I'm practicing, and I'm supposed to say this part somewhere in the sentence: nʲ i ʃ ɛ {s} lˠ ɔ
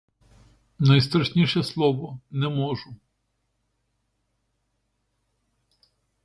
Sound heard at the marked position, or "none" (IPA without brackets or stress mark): s